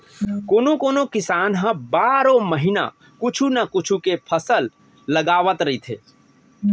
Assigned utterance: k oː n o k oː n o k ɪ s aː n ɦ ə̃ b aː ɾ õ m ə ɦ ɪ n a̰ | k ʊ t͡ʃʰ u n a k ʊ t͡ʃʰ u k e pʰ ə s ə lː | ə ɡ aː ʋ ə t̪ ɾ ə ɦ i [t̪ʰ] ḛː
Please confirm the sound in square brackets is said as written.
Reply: yes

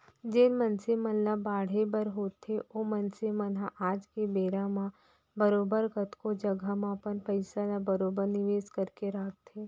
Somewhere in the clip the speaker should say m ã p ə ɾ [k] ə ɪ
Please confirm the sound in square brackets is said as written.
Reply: no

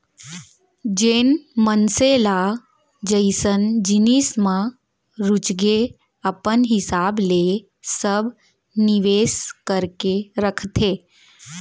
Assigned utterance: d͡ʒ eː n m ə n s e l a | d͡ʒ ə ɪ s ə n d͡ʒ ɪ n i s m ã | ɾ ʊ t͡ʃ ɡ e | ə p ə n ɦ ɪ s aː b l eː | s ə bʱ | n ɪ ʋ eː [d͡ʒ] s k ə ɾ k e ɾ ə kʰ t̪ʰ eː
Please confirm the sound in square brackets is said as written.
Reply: no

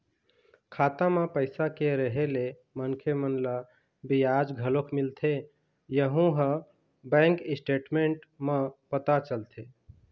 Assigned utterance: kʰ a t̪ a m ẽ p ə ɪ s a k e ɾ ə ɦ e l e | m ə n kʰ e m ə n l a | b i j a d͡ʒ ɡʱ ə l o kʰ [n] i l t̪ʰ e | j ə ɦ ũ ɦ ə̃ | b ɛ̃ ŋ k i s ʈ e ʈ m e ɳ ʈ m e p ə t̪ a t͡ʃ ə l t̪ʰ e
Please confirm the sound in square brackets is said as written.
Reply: no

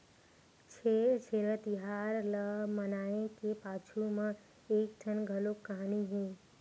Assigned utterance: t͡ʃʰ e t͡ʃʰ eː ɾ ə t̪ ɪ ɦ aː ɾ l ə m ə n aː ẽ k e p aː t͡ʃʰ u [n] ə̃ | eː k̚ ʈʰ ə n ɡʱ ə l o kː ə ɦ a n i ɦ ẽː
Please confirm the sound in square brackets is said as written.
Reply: no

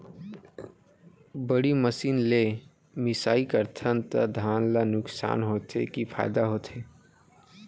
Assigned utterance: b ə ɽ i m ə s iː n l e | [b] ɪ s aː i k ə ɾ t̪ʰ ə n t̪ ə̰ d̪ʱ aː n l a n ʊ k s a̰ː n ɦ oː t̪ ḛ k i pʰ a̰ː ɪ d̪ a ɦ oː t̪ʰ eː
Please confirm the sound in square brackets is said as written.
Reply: no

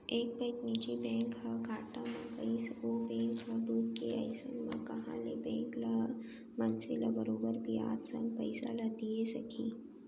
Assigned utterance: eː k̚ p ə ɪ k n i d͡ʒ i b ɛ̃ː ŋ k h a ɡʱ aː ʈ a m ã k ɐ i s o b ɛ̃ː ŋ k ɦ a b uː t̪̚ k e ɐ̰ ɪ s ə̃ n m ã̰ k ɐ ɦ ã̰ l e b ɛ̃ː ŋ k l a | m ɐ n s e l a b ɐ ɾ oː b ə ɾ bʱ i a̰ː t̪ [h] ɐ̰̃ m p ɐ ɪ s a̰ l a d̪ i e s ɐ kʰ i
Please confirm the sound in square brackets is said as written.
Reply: no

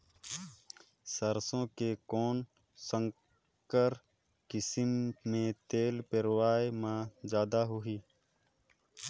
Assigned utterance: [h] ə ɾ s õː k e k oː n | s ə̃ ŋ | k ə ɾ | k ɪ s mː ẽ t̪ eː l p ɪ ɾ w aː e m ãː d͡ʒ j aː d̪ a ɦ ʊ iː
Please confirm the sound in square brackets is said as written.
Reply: no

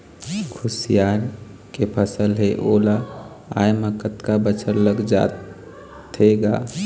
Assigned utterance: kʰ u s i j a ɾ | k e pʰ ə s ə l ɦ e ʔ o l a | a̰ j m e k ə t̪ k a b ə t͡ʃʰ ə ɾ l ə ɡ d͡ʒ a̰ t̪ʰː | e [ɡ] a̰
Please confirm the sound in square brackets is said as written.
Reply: yes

